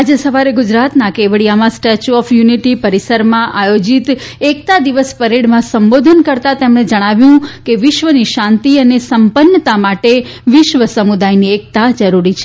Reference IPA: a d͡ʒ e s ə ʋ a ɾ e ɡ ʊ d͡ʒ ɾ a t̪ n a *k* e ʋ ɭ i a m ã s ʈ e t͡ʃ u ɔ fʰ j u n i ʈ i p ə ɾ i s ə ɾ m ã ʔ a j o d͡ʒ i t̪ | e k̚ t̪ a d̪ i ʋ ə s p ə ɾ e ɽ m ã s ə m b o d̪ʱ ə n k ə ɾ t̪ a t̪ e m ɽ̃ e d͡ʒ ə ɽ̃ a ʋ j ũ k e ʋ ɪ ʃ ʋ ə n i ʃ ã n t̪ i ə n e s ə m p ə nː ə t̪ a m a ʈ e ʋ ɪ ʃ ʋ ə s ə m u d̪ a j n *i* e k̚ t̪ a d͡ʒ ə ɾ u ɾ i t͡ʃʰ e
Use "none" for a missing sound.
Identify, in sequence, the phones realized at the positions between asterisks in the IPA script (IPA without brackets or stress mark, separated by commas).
k, i